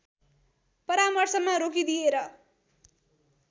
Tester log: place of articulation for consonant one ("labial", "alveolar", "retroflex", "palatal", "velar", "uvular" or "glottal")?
labial